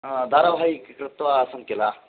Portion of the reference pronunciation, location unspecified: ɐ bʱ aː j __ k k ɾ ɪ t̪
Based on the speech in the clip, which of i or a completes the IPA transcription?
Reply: i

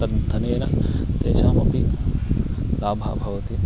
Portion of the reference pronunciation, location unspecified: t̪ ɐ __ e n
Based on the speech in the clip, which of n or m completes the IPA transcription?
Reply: n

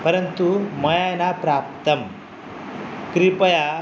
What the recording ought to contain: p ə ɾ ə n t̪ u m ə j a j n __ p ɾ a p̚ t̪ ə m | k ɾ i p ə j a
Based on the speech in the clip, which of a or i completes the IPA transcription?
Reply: a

